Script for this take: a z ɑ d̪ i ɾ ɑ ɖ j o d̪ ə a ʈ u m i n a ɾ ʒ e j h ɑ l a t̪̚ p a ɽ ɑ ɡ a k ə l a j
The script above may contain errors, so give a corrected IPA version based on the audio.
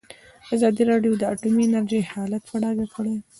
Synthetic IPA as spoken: a z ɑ d̪ i ɾ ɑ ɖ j o d̪ ə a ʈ u m i n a ɾ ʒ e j h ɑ l a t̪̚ p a ɽ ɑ ɡ a k ə ɽ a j